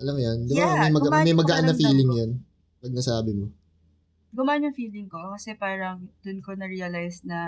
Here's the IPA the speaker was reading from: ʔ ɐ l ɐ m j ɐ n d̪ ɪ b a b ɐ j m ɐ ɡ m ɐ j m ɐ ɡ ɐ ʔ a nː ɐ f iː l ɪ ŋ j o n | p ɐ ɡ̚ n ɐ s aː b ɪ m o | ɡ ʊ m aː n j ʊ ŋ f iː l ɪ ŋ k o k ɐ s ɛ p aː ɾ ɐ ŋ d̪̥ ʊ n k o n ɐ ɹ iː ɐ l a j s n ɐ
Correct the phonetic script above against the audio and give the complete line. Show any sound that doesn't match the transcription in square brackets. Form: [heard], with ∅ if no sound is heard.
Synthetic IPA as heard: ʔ ɐ l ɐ m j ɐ n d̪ ɪ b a [m] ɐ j m ɐ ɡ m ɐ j m ɐ ɡ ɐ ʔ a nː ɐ f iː l ɪ ŋ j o n | p ɐ ɡ̚ n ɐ s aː b ɪ m o | ɡ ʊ m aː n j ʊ ŋ f iː l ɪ ŋ k o k ɐ s ɛ p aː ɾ ɐ ŋ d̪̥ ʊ n k o n ɐ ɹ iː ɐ l a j s n ɐ